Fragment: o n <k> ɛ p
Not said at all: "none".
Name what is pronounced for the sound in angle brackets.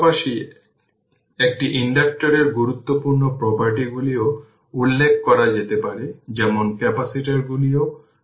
k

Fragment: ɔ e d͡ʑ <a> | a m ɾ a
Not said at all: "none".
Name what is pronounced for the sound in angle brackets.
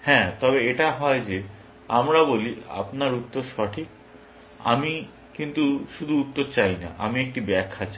e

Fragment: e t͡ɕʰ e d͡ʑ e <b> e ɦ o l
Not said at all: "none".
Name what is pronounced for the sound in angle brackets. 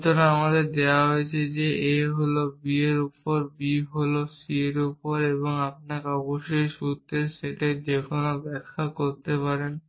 none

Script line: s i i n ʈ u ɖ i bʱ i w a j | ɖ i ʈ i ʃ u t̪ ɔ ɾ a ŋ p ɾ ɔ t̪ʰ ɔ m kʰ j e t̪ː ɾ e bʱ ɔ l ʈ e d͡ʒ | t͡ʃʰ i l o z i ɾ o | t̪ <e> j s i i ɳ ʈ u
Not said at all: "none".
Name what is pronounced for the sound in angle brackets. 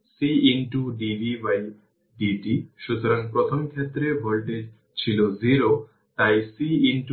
a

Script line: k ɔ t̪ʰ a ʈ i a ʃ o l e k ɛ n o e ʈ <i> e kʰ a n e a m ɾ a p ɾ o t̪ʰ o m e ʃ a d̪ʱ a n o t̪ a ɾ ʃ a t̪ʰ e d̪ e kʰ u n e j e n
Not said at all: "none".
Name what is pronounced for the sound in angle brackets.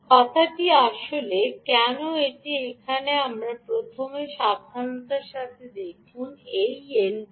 i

